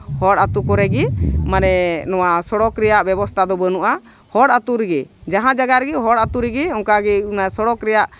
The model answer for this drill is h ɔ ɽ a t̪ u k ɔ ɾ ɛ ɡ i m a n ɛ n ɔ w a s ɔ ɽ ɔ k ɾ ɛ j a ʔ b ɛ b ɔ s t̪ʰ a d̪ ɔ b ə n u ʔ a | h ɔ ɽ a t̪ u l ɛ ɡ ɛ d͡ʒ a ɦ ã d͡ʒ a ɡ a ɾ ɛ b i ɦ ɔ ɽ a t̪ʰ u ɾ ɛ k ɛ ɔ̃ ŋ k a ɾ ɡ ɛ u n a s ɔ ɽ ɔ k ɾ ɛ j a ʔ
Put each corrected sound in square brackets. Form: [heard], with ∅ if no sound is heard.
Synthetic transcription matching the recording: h ɔ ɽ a t̪ u k ɔ ɾ ɛ ɡ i m a n ɛ n ɔ w a s ɔ ɽ ɔ k ɾ ɛ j a ʔ b ɛ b ɔ s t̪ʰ a d̪ ɔ b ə n u ʔ a | h ɔ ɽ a t̪ u [ɾ] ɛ ɡ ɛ d͡ʒ a ɦ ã d͡ʒ a ɡ a ɾ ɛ [ɡ] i ɦ ɔ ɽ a [t̪] u ɾ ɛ [ɡ] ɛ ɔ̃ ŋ k a [∅] ɡ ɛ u n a s ɔ ɽ ɔ k ɾ ɛ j a ʔ